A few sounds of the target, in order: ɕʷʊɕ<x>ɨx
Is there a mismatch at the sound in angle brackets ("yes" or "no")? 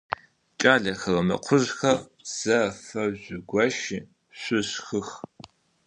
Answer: no